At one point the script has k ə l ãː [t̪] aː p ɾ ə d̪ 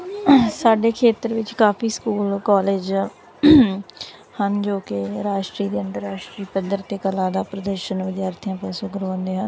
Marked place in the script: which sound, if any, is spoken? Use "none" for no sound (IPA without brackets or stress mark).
d̪